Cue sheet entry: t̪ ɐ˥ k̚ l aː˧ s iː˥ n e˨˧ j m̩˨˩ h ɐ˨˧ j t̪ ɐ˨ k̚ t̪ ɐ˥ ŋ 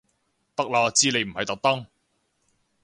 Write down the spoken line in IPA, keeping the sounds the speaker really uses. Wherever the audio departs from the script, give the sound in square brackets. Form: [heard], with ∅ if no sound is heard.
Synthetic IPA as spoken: t̪ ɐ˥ k̚ l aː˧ [t͡s] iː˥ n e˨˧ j m̩˨˩ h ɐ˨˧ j t̪ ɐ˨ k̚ t̪ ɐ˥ ŋ